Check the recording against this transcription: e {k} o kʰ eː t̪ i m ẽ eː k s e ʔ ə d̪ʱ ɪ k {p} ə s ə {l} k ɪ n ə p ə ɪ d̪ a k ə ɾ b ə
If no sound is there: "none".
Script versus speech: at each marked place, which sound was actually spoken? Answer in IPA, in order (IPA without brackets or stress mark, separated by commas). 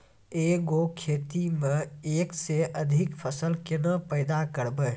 ɡ, pʰ, l